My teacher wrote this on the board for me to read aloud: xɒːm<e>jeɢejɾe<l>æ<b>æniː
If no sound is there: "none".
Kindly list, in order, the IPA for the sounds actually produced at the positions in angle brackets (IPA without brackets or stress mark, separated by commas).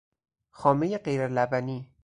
e, l, b